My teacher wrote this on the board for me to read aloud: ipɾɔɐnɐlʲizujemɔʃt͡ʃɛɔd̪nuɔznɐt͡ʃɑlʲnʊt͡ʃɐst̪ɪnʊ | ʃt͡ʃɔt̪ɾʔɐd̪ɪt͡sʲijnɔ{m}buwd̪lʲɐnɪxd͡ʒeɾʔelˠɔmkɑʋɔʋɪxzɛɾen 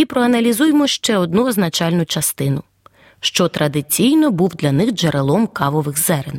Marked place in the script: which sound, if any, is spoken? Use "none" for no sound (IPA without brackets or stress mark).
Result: none